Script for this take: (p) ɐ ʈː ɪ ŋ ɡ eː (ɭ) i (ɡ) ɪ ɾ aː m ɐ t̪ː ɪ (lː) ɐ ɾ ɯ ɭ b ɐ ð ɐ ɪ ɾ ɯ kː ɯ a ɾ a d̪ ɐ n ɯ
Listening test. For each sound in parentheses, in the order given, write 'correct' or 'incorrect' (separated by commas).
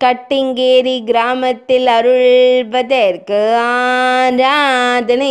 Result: incorrect, incorrect, correct, incorrect